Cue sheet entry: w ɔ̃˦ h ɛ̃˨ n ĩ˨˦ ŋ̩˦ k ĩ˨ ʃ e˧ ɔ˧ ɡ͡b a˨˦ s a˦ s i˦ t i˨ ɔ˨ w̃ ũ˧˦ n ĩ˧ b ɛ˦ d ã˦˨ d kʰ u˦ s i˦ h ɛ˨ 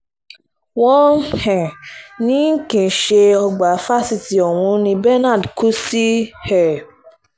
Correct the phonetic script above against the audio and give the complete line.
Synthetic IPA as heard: w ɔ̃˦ h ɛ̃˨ n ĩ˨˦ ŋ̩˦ k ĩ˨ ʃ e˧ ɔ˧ ɡ͡b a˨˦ f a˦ s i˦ t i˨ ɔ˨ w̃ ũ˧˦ n ĩ˧ b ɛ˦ n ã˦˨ d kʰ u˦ s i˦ h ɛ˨